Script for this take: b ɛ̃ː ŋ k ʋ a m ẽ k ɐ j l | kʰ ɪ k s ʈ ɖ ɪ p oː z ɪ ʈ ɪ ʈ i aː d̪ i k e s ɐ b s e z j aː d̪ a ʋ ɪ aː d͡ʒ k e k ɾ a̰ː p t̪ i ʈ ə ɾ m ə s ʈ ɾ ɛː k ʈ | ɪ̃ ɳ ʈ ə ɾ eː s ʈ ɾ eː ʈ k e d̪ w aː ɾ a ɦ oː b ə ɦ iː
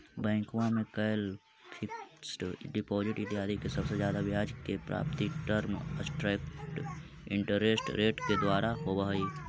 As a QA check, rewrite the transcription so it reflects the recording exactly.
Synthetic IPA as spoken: b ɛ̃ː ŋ k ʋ a m ẽ k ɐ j l | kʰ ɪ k s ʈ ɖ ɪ p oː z ɪ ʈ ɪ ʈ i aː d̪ i k e s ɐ b s e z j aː d̪ a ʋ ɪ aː d͡ʒ k e p ɾ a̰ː p t̪ i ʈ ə ɾ m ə s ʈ ɾ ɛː k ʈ | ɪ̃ ɳ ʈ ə ɾ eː s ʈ ɾ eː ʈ k e d̪ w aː ɾ a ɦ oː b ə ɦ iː